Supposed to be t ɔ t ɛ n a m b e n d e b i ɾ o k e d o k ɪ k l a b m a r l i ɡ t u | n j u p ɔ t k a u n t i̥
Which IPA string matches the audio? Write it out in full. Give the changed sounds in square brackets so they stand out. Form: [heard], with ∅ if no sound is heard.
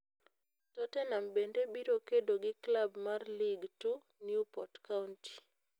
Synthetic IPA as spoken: t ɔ t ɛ n a m b e n d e b i ɾ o k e d o [ɡ] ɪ k l a b m a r l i ɡ t u | n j u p ɔ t k a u n t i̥